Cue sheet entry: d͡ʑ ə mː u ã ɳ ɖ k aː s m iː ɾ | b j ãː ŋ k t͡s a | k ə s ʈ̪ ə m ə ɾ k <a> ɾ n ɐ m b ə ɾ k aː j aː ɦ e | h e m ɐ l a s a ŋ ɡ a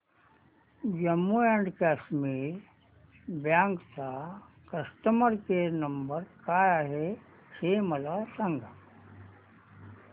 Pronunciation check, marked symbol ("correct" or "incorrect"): incorrect